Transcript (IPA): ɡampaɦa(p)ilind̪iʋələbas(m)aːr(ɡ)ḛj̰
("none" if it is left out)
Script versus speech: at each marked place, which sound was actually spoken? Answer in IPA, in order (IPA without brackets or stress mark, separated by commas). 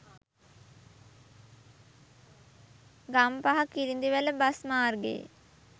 k, m, ɡ